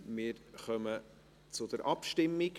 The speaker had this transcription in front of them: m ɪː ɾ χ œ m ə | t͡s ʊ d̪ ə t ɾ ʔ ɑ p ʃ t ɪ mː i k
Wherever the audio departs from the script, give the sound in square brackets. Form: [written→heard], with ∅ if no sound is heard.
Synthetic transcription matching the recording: m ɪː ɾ χ œ m ə | t͡s ʊ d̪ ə [t→∅] ɾ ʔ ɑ p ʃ t ɪ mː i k